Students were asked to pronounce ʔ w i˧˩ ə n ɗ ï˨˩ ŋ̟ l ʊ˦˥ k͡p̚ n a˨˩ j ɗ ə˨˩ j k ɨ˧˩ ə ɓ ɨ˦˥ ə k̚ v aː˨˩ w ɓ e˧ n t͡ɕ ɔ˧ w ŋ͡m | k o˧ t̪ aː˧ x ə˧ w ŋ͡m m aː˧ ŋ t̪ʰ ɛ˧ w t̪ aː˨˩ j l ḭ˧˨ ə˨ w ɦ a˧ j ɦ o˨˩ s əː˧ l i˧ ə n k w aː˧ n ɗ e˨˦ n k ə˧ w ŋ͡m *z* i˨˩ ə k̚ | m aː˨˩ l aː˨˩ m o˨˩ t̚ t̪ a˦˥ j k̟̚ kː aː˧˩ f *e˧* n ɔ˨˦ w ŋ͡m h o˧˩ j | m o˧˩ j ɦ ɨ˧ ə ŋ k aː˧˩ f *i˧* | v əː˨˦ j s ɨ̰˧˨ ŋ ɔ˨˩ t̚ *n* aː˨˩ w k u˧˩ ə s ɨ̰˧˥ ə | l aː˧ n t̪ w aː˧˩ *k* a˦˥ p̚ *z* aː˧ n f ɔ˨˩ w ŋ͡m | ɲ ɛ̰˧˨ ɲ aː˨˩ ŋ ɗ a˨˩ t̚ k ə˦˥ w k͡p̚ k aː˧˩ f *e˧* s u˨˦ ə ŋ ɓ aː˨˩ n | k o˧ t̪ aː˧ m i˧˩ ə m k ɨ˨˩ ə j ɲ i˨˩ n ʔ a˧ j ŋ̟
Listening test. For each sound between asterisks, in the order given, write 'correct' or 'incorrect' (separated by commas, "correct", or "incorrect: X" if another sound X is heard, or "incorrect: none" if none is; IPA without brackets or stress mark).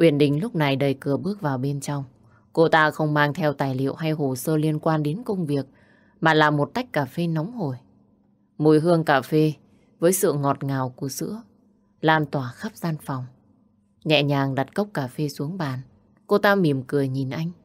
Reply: incorrect: v, correct, incorrect: e˧, incorrect: ŋ, incorrect: x, correct, correct